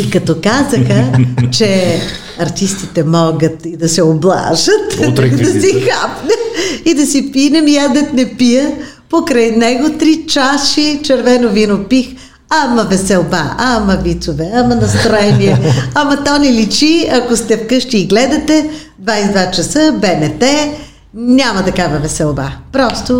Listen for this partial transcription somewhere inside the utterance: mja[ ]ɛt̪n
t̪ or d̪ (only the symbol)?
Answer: d̪